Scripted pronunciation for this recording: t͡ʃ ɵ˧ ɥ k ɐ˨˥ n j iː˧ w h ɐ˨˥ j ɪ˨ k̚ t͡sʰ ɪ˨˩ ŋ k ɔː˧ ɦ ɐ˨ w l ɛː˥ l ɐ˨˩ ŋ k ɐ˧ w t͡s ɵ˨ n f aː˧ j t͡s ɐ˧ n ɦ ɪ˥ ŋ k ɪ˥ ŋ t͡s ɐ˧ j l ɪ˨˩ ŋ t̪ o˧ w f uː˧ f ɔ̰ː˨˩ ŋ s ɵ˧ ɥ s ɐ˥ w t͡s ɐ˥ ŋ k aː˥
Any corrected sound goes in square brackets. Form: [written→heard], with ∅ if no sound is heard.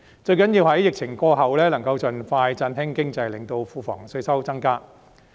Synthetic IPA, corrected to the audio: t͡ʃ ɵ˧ ɥ k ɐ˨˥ n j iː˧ w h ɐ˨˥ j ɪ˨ k̚ t͡sʰ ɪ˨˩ ŋ k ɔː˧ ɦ ɐ˨ w l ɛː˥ l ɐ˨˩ ŋ k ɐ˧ w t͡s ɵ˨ n f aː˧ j t͡s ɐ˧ n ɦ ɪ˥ ŋ k ɪ˥ ŋ t͡s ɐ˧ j l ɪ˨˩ ŋ t̪ o˧ w f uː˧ f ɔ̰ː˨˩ ŋ s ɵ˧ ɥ s ɐ˥ w t͡s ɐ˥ ŋ k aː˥